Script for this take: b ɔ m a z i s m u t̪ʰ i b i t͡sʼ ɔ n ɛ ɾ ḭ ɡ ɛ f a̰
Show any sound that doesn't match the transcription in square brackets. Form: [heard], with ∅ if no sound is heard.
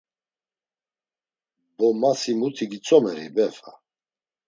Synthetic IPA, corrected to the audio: b ɔ m a [s] i [∅] m u t̪ʰ i [ɡ] i t͡sʼ ɔ [m] ɛ ɾ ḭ [b] ɛ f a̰